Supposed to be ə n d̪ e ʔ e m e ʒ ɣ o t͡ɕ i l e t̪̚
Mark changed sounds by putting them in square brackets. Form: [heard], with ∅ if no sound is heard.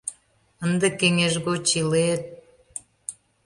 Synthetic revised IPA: ə n d̪ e [k] e [ŋ] e ʒ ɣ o t͡ɕ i l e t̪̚

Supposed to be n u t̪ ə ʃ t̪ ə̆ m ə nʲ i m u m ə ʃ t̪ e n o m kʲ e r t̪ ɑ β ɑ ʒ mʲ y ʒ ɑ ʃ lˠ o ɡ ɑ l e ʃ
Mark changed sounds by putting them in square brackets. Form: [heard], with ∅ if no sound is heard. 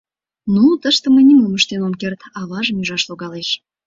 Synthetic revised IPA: n u t̪ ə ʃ t̪ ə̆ m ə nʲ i m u m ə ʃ t̪ e n o m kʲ e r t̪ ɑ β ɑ ʒ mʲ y ʒ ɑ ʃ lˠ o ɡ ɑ l e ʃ

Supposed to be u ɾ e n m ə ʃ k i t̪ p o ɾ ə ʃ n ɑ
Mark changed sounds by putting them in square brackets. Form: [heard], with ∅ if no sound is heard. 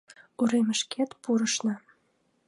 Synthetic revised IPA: u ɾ e [∅] m ə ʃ k [e] t̪ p [u] ɾ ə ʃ n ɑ

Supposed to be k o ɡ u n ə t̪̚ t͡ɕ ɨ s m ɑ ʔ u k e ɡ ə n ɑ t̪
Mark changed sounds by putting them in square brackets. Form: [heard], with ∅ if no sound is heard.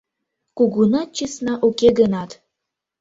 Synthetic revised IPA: k [u] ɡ u n [ɑ] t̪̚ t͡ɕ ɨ s [n] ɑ ʔ u k e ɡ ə n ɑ t̪

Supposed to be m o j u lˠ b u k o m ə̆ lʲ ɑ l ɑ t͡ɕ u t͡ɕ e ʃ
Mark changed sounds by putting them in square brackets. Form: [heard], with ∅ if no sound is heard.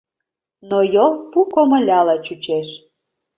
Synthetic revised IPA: [n] o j [o] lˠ [p] u k o m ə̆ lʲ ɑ l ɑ t͡ɕ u t͡ɕ e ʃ

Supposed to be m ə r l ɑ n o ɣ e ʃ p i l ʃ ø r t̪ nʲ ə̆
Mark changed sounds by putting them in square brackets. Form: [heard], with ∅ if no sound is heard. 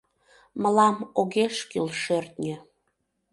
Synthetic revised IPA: m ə [∅] l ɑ [m] o ɣ e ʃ [k] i l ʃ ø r t̪ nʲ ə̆

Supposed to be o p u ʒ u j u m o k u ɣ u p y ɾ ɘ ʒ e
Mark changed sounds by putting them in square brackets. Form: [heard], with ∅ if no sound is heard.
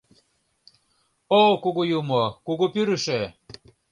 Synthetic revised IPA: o [k] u [ɣ] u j u m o k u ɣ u p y ɾ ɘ [ʃ] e

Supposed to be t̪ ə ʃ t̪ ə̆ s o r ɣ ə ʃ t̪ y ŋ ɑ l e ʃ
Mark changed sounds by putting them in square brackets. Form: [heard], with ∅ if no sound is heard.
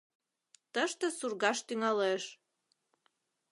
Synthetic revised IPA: t̪ ə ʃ t̪ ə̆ s [u] r ɣ [ɑ] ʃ t̪ y ŋ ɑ l e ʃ

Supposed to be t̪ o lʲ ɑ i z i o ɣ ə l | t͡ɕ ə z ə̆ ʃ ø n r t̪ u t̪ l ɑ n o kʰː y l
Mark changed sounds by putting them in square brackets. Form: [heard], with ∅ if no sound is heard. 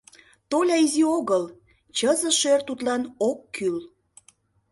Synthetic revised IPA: t̪ o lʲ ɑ i z i o ɣ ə l | t͡ɕ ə z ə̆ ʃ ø [∅] r t̪ u t̪ l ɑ n o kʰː y l

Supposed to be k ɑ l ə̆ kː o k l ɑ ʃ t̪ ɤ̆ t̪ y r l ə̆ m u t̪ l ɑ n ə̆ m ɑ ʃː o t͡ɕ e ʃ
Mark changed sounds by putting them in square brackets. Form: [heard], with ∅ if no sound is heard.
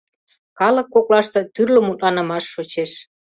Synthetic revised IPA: k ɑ l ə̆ kː o k l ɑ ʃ t̪ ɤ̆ t̪ y r l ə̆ m u t̪ l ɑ n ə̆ m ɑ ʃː o t͡ɕ e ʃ

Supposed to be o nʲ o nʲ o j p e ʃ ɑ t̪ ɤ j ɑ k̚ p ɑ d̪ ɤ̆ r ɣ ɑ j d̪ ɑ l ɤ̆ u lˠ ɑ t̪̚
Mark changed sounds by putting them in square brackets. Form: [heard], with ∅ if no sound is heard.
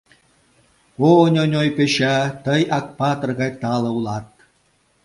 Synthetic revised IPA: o nʲ o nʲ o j p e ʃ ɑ t̪ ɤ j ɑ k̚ p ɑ [t̪] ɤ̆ r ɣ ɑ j [t̪] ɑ l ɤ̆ u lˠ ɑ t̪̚

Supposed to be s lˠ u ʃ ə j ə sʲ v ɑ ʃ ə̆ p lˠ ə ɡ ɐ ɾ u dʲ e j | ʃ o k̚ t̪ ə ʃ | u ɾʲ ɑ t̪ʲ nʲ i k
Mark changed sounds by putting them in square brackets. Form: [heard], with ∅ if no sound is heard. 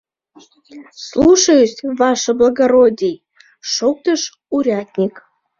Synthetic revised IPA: s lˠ u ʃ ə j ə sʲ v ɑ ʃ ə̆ [b] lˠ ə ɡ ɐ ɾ [o] dʲ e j | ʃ o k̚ t̪ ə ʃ | u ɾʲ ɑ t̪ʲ nʲ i k

